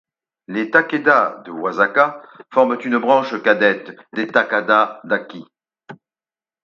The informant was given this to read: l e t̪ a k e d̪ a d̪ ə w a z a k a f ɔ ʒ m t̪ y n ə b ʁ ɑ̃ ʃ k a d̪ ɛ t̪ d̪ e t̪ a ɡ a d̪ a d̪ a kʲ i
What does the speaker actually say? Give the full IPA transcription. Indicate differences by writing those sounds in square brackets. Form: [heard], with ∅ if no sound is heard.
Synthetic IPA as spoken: l e t̪ a k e d̪ a d̪ ə w a z a k a f ɔ [ʁ] m t̪ y n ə b ʁ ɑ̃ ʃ k a d̪ ɛ t̪ d̪ e t̪ a [k] a d̪ a d̪ a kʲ i